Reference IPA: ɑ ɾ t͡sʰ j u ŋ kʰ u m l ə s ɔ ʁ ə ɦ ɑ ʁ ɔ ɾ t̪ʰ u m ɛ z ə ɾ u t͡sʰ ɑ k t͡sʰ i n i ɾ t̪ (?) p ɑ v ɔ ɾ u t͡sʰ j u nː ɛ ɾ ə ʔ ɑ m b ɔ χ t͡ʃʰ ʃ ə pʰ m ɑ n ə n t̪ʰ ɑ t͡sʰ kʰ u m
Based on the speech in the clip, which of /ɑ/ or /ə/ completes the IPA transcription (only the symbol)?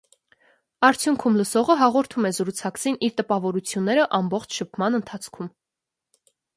ə